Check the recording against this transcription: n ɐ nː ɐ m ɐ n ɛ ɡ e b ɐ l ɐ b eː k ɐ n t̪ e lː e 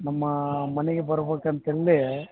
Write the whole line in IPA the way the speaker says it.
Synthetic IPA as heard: n ɐ mː ɐ m ɐ n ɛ ɡ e b ɐ ɾ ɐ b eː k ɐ n t̪ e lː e

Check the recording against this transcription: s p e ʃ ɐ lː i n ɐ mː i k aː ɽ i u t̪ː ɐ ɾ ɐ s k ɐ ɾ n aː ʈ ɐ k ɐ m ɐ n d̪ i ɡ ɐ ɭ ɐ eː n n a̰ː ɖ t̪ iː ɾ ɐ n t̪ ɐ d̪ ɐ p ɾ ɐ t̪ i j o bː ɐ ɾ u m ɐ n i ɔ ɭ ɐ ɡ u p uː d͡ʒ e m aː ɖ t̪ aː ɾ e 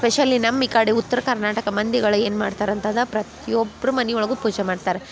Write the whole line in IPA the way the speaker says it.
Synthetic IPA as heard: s p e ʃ ɐ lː i n ɐ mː i k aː ɽ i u t̪ː ɐ ɾ ɐ k ɐ ɾ n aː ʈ ɐ k ɐ m ɐ n d̪ i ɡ ɐ ɭ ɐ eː n m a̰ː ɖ t̪ aː ɾ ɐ n t̪ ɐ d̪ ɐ p ɾ ɐ t̪ i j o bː ɐ ɾ u m ɐ n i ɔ ɭ ɐ ɡ u p uː d͡ʒ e m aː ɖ t̪ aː ɾ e

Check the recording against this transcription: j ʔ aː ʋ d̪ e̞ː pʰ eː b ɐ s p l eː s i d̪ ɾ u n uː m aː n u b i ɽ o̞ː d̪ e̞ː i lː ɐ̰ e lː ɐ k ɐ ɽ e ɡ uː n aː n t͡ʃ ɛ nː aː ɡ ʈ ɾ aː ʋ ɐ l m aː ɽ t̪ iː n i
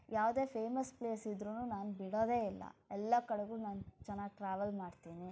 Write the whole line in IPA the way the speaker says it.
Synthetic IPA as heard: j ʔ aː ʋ d̪ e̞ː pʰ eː m ɐ s p l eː s i d̪ ɾ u n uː n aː n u b i ɽ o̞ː d̪ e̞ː i lː ɐ̰ ɛ lː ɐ k ɐ ɽ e ɡ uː n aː n t͡ʃ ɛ nː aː ɡ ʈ ɾ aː ʋ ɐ l m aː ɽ t̪ iː n i

